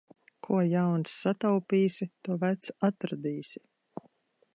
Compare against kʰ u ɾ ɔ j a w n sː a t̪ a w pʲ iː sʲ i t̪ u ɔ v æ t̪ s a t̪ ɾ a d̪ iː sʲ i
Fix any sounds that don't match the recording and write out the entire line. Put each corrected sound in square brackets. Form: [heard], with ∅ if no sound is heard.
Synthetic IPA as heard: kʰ u [∅] ɔ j a w n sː a t̪ a w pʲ iː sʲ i t̪ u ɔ v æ t̪ s a t̪ ɾ a d̪ iː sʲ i